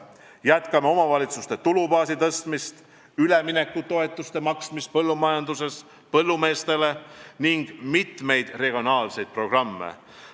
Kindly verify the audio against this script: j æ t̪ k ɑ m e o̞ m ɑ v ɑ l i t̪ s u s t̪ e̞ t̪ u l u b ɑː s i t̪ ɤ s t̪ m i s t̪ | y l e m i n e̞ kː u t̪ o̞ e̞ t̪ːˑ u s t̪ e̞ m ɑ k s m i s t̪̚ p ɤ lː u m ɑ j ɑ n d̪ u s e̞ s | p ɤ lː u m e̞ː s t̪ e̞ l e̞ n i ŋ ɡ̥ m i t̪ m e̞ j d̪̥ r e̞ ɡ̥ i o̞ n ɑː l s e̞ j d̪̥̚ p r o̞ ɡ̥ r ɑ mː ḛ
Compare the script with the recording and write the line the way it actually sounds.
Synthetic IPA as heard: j æ t̪ k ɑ m e o̞ m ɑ v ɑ l i t̪ s u s t̪ e̞ t̪ u l u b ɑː s i t̪ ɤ s t̪ m i s t̪ | y l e m i n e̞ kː u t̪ o̞ e̞ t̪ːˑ u s t̪ e̞ m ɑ k s m i s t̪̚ p ɤ lː u m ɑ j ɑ n d̪ u s e̞ s | p ɤ lː u m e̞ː s t̪ e̞ l e̞ n i ŋ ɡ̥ m i t̪ m e̞ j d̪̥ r e̞ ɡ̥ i o̞ n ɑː l s e̞ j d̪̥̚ p r o̞ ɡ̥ r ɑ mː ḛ